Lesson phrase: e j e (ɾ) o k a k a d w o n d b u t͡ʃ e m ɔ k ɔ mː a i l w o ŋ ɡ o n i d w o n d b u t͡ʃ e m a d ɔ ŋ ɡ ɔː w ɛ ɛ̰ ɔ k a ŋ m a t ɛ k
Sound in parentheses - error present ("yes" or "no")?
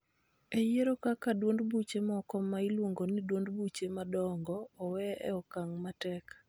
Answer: no